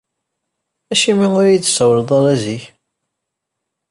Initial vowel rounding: unrounded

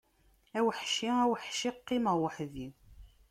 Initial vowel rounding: unrounded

